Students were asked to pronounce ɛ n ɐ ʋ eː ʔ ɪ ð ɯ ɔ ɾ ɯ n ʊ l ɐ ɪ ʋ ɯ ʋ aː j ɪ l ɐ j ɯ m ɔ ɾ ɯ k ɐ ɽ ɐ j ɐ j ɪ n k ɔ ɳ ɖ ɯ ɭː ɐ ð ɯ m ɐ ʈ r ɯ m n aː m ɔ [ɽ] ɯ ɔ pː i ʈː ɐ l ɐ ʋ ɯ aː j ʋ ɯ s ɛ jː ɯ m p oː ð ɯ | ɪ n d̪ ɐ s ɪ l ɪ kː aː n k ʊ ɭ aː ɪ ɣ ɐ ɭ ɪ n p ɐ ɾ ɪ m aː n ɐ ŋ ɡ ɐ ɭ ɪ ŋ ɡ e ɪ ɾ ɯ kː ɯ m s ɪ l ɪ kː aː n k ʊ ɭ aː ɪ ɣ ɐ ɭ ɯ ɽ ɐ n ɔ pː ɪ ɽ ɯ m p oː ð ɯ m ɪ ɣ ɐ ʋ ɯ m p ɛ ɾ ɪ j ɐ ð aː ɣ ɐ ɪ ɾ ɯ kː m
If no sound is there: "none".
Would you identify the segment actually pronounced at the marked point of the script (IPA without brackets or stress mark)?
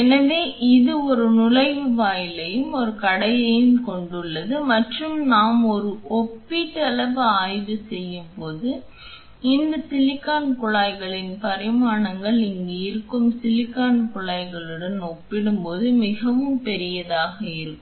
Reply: ɾ